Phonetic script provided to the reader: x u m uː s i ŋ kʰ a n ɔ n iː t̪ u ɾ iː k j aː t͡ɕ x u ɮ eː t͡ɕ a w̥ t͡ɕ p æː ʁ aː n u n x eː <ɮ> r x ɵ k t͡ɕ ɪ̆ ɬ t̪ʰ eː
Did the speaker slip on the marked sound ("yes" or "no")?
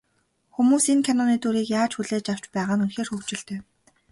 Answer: yes